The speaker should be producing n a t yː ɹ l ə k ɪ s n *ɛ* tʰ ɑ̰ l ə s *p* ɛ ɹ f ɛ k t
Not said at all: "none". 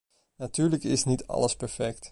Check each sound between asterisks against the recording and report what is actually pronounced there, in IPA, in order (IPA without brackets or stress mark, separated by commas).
i, p